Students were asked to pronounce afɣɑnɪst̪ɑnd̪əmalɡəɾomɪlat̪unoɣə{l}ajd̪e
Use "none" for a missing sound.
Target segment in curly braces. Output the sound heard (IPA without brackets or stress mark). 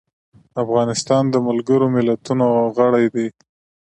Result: ɽ